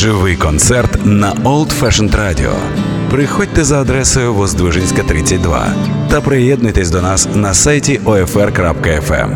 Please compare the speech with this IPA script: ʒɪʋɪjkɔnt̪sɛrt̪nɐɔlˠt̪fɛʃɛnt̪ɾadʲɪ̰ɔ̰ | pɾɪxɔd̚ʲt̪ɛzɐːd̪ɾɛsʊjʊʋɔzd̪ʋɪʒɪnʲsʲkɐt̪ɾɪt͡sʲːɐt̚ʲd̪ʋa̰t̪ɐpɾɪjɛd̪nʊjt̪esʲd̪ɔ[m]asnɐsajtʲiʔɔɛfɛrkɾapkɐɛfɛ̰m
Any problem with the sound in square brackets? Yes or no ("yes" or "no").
yes